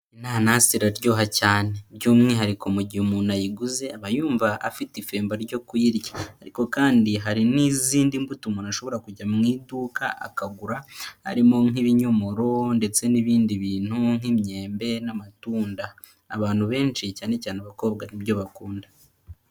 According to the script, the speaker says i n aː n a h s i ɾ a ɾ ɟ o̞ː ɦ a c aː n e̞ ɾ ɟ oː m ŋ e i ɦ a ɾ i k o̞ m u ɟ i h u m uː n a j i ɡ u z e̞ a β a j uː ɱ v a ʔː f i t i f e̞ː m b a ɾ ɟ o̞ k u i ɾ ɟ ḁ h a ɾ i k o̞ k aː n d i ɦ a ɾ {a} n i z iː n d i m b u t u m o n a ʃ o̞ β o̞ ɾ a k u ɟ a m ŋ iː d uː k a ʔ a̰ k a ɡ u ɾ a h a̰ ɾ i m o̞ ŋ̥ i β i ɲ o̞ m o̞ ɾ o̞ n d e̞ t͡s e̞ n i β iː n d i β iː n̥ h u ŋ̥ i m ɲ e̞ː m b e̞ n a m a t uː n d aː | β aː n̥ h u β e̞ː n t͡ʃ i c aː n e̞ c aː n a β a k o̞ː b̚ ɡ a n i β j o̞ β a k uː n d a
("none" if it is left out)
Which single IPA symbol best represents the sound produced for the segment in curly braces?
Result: i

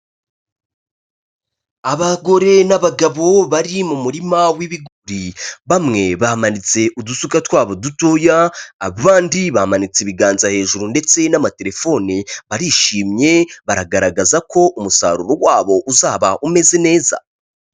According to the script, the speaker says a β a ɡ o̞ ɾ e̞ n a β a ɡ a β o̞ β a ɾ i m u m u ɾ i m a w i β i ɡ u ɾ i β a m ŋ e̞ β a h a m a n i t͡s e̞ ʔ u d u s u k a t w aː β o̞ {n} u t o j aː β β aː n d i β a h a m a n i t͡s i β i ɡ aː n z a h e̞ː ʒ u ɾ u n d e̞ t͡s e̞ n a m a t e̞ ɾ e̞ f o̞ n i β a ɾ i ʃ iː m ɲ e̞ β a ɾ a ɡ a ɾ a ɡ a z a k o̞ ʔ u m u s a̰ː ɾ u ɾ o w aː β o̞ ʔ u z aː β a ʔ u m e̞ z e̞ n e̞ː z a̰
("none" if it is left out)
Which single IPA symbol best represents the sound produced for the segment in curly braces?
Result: d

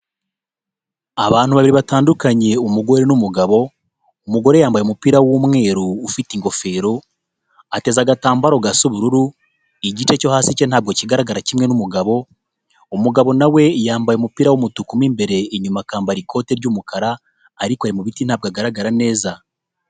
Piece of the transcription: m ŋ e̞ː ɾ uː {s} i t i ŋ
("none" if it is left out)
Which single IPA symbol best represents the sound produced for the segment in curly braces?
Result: f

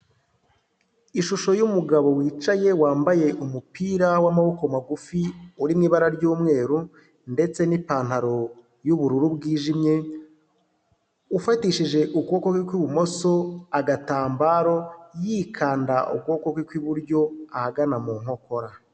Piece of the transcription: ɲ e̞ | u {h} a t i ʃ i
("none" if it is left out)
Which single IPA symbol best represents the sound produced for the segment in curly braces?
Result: f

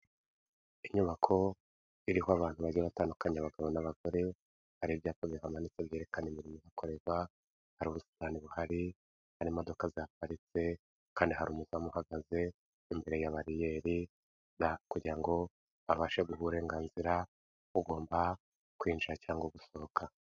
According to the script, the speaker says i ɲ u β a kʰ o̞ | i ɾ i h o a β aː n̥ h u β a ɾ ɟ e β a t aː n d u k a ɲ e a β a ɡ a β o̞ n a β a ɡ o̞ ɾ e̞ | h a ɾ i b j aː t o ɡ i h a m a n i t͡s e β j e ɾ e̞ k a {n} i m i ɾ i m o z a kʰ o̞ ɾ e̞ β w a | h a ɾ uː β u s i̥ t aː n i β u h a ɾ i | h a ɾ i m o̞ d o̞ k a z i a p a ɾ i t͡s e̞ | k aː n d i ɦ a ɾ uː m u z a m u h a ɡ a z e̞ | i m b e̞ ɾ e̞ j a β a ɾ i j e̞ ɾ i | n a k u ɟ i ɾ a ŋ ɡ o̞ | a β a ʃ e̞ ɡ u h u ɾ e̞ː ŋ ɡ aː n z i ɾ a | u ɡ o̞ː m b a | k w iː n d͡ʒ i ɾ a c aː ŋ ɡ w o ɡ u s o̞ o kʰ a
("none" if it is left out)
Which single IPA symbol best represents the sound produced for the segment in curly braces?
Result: n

